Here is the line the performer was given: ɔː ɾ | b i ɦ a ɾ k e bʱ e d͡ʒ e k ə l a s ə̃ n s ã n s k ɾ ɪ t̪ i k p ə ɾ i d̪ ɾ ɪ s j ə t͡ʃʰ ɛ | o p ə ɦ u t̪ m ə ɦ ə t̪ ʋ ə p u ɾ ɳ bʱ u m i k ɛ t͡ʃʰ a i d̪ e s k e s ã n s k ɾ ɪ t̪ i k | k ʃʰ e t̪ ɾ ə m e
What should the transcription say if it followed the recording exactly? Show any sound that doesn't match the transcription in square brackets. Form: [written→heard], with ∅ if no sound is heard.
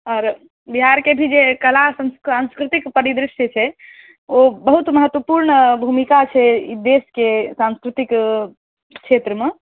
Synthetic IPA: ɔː ɾ | b i ɦ a ɾ k e bʱ [e→i] d͡ʒ e k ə l a s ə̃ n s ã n s k ɾ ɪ t̪ i k p ə ɾ i d̪ ɾ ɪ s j ə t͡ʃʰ ɛ | o [p→b] ə ɦ u t̪ m ə ɦ ə t̪ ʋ ə p u ɾ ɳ bʱ u m i k [ɛ→a] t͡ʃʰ [a→ɛ] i d̪ e s k e s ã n s k ɾ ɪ t̪ i k | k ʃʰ e t̪ ɾ ə m e